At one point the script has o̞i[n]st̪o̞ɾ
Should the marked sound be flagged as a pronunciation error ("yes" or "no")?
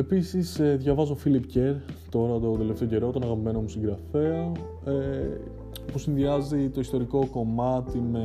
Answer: yes